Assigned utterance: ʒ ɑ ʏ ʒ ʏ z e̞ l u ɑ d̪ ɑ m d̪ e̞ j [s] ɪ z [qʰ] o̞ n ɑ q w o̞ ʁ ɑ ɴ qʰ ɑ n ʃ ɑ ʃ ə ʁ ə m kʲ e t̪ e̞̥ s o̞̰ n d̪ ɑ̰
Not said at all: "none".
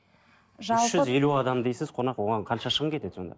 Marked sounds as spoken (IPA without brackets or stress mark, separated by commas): s, qʰ